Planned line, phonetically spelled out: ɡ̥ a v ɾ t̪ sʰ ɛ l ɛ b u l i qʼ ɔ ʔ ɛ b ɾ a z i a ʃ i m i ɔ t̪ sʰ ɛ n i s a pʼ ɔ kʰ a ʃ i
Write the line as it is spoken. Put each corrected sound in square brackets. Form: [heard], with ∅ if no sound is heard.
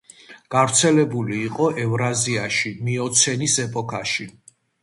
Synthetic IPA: ɡ̥ a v ɾ t̪ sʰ ɛ l ɛ b u l [iː] qʼ ɔ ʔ ɛ [v] ɾ a z i a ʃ i m i ɔ t̪ sʰ ɛ n i s [ɛ] pʼ ɔ kʰ a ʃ i